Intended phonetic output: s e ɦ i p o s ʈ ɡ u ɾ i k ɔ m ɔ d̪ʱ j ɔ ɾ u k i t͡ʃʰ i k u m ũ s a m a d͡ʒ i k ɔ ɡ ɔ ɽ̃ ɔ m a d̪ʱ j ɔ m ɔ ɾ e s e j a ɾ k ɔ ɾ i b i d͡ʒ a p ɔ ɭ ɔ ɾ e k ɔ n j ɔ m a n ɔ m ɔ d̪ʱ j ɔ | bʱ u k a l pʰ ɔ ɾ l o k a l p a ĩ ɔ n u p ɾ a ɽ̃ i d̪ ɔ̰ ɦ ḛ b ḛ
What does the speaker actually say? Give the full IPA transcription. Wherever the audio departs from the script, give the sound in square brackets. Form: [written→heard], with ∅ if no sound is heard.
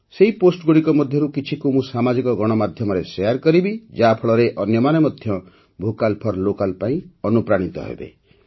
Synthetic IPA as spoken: s e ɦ i p o s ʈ ɡ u [ɾ→ɽ] i k ɔ m ɔ d̪ʱ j ɔ ɾ u k i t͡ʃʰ i k u m ũ s a m a d͡ʒ i k ɔ ɡ ɔ ɽ̃ ɔ m a d̪ʱ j ɔ m ɔ ɾ e s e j a ɾ k ɔ ɾ i b i d͡ʒ a [p→pʰ] ɔ ɭ ɔ ɾ e [k→ʔ] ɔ n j ɔ m a n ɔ m ɔ d̪ʱ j ɔ | bʱ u k a l pʰ ɔ ɾ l o k a l p a ĩ ɔ n u p ɾ a ɽ̃ i [d̪→t̪] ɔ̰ ɦ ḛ b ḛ

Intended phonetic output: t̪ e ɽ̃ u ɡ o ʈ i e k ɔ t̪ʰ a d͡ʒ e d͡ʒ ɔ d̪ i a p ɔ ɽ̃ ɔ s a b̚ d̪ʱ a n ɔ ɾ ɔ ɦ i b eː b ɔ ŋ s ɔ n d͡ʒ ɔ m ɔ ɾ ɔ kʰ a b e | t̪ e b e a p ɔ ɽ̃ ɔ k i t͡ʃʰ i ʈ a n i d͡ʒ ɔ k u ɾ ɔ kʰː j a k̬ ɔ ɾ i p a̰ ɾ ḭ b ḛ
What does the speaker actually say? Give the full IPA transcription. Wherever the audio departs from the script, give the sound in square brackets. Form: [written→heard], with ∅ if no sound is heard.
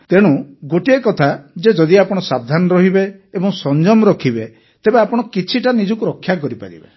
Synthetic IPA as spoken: t̪ e ɽ̃ u ɡ o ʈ i e k ɔ t̪ʰ a d͡ʒ e d͡ʒ ɔ d̪ i a p ɔ ɽ̃ ɔ s a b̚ d̪ʱ a n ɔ ɾ ɔ ɦ i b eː b ɔ ŋ s ɔ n d͡ʒ ɔ m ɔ ɾ ɔ kʰ [a→i] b e | t̪ e b e a p ɔ ɽ̃ ɔ k i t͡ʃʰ i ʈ a n i d͡ʒ ɔ k u ɾ ɔ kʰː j a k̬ ɔ ɾ i p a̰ ɾ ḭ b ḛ

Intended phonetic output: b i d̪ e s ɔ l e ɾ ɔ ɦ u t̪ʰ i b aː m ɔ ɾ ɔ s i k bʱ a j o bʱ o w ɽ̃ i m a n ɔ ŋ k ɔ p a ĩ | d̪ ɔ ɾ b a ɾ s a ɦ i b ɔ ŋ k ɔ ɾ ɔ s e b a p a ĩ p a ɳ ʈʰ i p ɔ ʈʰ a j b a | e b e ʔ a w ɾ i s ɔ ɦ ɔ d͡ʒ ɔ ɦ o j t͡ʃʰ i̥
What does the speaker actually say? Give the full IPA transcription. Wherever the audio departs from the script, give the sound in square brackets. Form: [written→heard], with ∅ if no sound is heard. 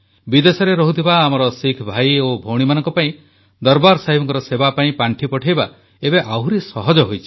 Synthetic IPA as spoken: b i d̪ e s ɔ [l→ɾ] e ɾ ɔ ɦ u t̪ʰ i b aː m ɔ ɾ ɔ s i [k→kʰ] bʱ a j o bʱ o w ɽ̃ i m a n ɔ ŋ k ɔ p a ĩ | d̪ ɔ ɾ b a ɾ s a ɦ i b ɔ ŋ k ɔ ɾ ɔ s e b a p a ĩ p a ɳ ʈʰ i p ɔ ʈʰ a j b a | e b e ʔ a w ɾ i s ɔ ɦ ɔ d͡ʒ ɔ ɦ o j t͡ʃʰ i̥

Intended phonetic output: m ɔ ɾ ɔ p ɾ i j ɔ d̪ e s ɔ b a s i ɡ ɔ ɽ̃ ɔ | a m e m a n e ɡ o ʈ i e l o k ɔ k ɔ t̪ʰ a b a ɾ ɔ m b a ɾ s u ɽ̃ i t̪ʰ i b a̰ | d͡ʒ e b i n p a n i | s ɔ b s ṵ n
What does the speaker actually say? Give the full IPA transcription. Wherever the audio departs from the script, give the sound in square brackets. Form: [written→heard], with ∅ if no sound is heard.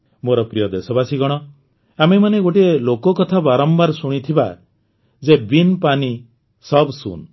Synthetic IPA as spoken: m [ɔ→o] ɾ ɔ p ɾ i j ɔ d̪ e s ɔ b a s i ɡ ɔ ɽ̃ ɔ | a m e m a n e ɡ o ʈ i e l o k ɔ k ɔ t̪ʰ a b a ɾ ɔ m b a ɾ s u ɽ̃ i t̪ʰ i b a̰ | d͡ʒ e b i n p a n i | s ɔ b s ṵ n

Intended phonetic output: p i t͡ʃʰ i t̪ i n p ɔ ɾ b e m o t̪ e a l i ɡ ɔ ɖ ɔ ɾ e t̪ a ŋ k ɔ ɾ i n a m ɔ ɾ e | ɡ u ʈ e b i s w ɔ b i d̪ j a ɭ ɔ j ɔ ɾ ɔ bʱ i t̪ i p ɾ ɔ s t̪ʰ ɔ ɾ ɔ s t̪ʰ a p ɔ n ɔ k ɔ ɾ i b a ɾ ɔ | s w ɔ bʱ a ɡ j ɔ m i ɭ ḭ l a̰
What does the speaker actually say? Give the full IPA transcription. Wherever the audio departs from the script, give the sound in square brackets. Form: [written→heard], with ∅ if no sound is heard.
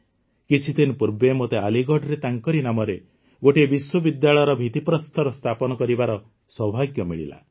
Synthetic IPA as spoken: [p→k] i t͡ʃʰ i t̪ i n p [ɔ→u] ɾ b e m o t̪ e a l i ɡ ɔ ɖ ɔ ɾ e t̪ a ŋ k ɔ ɾ i n a m ɔ ɾ e | ɡ [u→o] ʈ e b i s w ɔ b i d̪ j a ɭ ɔ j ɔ ɾ ɔ bʱ i t̪ i p ɾ ɔ s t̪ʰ ɔ ɾ ɔ s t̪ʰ a p ɔ n ɔ k ɔ ɾ i b a ɾ ɔ | s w ɔ bʱ a ɡ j ɔ m i ɭ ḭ l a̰

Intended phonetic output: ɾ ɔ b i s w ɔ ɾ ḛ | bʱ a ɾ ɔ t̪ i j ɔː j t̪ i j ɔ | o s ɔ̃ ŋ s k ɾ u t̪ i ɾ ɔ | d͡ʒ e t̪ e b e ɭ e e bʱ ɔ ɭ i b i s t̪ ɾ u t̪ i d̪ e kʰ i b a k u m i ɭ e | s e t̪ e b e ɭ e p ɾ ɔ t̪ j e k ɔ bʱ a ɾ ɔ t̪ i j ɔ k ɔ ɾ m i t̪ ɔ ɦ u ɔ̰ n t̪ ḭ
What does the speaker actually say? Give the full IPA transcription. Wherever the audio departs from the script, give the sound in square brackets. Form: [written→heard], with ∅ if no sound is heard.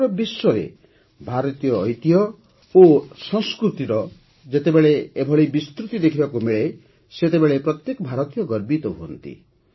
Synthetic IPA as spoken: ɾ ɔ b i s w ɔ ɾ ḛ | bʱ a ɾ ɔ t̪ i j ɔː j t̪ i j ɔ | o s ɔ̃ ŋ s k ɾ u t̪ i ɾ ɔ | d͡ʒ e t̪ e b e ɭ e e bʱ ɔ ɭ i b i s t̪ ɾ u t̪ i d̪ e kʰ i b a k u m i ɭ e | s e t̪ e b e ɭ e p ɾ ɔ t̪ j e k ɔ bʱ a ɾ ɔ t̪ i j ɔ [k→ɡ] ɔ ɾ [m→b] i t̪ ɔ ɦ u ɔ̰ n t̪ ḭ

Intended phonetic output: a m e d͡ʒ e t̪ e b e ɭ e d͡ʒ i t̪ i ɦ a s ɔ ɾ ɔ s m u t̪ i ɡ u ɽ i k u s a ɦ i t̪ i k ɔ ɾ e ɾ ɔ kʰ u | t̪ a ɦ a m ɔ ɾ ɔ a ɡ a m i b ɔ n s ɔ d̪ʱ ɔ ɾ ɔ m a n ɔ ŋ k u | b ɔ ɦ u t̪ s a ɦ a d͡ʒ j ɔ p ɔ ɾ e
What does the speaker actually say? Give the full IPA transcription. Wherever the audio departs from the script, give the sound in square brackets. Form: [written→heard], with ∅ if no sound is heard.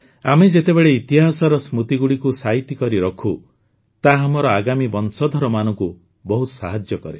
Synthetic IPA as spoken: a m e d͡ʒ e t̪ e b e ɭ e [d͡ʒ→∅] i t̪ i ɦ a s ɔ ɾ ɔ s m u t̪ i ɡ u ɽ i k u s a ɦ i t̪ i k ɔ ɾ [e→i] ɾ ɔ kʰ u | t̪ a ɦ a m ɔ ɾ ɔ a ɡ a m i b ɔ n s ɔ d̪ʱ ɔ ɾ ɔ m a n ɔ ŋ k u | b ɔ ɦ u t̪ s a ɦ a d͡ʒ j ɔ [p→k] ɔ ɾ e

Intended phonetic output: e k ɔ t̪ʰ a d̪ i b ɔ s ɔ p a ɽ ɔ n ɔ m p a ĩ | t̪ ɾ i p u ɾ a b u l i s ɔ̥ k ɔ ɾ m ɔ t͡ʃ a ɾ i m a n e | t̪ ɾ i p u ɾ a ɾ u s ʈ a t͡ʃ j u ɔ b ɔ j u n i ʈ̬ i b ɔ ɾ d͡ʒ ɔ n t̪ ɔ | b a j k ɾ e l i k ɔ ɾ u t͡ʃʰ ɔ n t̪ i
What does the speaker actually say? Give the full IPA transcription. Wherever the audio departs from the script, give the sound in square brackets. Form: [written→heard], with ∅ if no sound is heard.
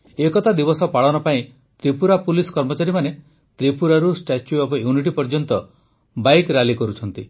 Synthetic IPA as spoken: e k ɔ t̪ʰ a d̪ i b ɔ s ɔ p a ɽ ɔ n ɔ [m→∅] p a ĩ | t̪ ɾ i p u ɾ a [b→p] u l i s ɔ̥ k ɔ ɾ m ɔ t͡ʃ a ɾ i m a n e | t̪ ɾ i p u ɾ a ɾ u s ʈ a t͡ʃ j u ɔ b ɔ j u n i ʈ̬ i [b→p] ɔ ɾ d͡ʒ ɔ n t̪ ɔ | b a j k ɾ [e→a] l i k ɔ ɾ u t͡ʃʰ ɔ n t̪ i

